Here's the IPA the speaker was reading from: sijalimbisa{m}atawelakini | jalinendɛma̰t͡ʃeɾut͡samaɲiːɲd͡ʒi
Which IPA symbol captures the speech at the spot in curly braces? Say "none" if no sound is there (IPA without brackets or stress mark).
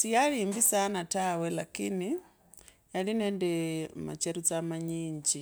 n